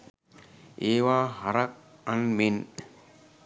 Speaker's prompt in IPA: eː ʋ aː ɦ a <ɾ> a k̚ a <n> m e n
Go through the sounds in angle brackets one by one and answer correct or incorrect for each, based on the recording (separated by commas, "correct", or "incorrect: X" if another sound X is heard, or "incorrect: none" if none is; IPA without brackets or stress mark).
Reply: correct, correct